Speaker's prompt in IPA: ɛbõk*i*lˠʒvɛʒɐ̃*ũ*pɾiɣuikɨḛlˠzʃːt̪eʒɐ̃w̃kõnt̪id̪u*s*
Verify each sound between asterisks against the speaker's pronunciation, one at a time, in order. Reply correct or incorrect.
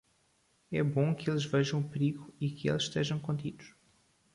incorrect: e, incorrect: w̃, incorrect: ʃ

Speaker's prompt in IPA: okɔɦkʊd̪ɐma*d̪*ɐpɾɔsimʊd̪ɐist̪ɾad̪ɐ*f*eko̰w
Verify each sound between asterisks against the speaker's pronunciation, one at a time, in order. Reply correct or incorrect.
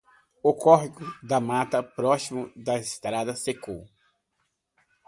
incorrect: t̪, incorrect: s

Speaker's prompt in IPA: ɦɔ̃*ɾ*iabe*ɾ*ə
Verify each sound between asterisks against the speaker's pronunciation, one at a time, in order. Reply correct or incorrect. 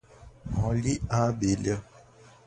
incorrect: l, incorrect: l

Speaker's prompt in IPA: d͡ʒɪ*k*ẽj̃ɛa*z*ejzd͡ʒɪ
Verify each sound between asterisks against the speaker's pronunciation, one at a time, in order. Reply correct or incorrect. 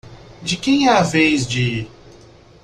correct, incorrect: v

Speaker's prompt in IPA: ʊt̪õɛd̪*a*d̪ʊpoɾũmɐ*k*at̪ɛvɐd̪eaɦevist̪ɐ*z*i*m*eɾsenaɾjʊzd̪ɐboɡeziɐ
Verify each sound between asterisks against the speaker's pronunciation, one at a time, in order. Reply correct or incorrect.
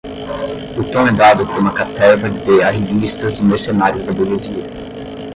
correct, correct, correct, correct

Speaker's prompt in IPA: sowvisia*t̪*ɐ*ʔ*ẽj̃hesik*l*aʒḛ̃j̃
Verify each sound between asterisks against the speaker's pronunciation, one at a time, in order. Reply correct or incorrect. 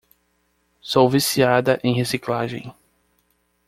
incorrect: d̪, correct, correct

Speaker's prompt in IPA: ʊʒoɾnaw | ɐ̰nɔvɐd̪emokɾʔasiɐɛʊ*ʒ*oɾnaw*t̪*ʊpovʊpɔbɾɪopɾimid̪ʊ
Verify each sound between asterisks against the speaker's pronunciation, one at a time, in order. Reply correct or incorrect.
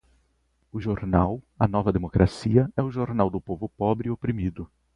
correct, incorrect: d̪

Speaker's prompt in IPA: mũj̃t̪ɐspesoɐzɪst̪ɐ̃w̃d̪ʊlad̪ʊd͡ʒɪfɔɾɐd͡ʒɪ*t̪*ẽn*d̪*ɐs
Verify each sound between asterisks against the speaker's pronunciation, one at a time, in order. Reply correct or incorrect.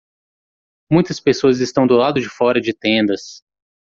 correct, correct

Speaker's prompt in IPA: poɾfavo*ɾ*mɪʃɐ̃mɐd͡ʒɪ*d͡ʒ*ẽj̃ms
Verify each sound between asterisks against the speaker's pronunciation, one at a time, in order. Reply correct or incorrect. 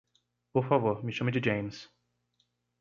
correct, correct

